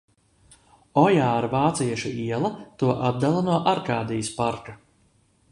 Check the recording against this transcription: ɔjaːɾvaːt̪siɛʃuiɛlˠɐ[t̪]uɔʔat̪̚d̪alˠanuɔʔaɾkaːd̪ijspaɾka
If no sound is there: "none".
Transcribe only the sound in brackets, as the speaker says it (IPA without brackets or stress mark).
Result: t̪